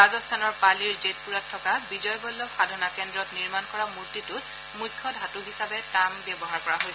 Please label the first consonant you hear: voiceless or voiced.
voiced